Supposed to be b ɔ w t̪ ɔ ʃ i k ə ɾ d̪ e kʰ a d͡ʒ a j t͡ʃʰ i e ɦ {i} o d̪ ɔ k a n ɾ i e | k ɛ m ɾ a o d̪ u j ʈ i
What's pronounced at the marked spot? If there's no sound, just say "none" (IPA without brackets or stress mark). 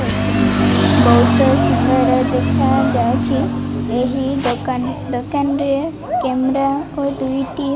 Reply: i